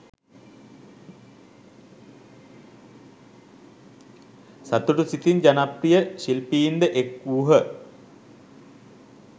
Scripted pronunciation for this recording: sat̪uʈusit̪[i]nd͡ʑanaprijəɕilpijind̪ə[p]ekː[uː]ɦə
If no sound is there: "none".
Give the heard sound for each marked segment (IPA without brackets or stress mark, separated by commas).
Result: i, ʔ, uː